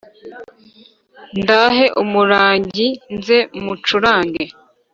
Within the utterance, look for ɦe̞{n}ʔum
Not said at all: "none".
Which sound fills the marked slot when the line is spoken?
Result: none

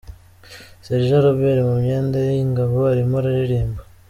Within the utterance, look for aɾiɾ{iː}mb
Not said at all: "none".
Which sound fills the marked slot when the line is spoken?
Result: iː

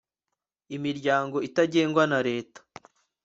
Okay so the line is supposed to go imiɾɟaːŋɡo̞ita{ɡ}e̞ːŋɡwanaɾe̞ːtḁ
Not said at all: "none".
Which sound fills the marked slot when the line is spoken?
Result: ɟ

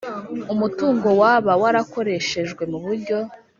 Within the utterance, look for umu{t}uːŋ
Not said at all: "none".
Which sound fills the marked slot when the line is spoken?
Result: t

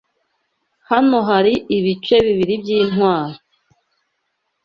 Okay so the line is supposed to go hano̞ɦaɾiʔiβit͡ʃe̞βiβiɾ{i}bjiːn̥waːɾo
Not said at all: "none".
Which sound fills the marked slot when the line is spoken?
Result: i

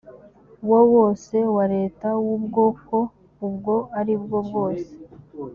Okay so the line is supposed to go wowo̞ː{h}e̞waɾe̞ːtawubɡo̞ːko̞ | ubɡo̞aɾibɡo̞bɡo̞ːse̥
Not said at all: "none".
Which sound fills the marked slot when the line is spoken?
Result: s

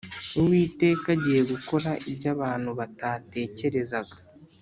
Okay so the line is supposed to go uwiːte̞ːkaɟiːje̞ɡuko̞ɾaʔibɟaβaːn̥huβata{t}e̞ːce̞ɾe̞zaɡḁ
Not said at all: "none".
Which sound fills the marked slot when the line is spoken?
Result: t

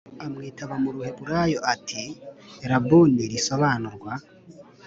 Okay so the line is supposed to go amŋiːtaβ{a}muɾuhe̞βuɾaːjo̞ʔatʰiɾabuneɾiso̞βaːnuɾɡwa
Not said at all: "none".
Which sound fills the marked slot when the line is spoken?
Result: a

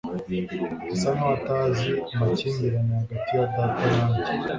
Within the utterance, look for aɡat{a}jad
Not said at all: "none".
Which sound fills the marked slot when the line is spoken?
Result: i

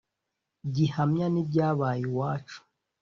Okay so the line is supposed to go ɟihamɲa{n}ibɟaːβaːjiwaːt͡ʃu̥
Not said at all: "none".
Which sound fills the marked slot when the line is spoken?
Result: n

